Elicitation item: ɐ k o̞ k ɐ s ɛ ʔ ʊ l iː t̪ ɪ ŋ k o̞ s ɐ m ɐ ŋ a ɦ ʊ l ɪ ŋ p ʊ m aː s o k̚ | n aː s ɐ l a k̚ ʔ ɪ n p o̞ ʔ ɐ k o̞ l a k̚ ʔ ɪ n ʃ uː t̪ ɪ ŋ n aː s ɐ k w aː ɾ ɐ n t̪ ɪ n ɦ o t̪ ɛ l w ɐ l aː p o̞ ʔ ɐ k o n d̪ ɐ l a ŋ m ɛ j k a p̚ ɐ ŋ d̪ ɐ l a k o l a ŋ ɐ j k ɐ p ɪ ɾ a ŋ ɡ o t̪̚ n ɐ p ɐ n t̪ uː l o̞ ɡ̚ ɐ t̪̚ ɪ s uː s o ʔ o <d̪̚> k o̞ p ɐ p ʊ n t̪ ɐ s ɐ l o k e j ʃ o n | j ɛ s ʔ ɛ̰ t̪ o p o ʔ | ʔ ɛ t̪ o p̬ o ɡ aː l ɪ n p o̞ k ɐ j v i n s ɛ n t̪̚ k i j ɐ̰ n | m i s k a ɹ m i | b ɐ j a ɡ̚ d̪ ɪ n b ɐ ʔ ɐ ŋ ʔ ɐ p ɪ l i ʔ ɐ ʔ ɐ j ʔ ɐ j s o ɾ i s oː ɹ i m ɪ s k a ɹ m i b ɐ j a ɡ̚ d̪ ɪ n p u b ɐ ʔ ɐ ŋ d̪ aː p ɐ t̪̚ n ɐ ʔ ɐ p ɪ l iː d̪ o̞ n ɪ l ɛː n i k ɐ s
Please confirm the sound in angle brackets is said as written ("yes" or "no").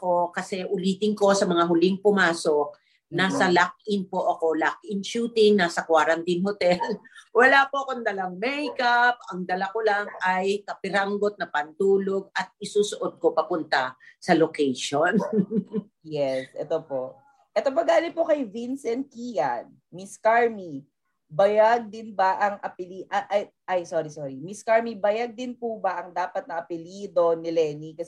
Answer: yes